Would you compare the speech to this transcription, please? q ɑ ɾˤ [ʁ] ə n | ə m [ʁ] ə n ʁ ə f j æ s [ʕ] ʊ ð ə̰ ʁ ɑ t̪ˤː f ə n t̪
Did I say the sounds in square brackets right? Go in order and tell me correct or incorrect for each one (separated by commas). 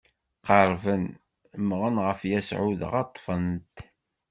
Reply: incorrect, correct, correct